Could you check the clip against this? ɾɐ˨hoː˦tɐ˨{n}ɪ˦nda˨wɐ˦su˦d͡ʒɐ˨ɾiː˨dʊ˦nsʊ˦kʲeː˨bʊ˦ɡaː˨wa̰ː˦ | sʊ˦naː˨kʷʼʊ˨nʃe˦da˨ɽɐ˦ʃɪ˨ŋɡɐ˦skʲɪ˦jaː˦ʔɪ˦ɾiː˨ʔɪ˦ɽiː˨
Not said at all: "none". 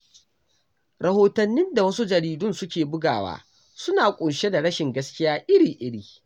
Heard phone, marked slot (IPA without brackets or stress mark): nː